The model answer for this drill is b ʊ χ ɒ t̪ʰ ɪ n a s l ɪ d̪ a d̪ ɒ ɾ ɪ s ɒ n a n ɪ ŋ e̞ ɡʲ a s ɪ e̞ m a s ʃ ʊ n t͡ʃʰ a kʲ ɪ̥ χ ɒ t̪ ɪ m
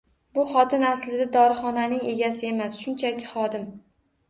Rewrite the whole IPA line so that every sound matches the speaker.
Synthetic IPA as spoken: b ʊ χ ɒ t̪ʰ ɪ n a s l ɪ d̪ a d̪ ɒ ɾ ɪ χ ɒ n a n ɪ ŋ e̞ ɡʲ a s ɪ e̞ m a s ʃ ʊ n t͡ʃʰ a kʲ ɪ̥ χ ɒ d̪ ɪ m